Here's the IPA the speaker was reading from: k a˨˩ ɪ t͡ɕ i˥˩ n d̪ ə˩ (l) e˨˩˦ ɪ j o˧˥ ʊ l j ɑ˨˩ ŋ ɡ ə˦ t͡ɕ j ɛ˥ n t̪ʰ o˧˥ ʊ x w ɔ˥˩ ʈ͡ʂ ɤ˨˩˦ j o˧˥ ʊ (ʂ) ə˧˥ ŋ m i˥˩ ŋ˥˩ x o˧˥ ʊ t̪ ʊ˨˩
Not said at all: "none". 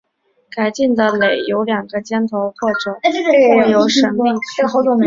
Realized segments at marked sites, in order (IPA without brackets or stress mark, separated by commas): l, ʂ